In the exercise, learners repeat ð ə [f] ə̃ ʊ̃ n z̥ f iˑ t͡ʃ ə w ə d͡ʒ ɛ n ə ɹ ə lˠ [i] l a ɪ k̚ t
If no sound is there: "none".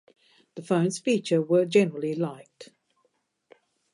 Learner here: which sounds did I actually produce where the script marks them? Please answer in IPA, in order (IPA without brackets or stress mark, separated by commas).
f, i